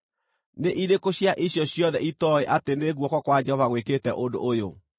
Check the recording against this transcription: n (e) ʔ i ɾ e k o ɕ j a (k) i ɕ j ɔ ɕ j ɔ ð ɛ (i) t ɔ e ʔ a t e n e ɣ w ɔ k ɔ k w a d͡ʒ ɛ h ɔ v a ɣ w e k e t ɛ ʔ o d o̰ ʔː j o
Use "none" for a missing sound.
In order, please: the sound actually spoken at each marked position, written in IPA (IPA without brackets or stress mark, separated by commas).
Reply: e, ʔ, i